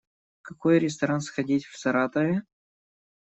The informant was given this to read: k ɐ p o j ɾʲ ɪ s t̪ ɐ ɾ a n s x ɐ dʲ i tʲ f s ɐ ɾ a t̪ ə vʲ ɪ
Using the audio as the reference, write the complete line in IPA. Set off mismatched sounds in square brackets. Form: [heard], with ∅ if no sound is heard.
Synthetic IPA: k ɐ [k] o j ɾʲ ɪ s t̪ ɐ ɾ a n s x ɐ dʲ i tʲ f s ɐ ɾ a t̪ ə vʲ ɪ